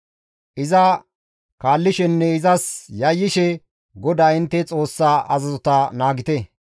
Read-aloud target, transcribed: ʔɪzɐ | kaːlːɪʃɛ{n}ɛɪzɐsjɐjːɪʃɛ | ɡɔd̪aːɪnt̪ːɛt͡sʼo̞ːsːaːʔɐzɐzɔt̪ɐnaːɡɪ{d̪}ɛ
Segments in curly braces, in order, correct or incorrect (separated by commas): incorrect, incorrect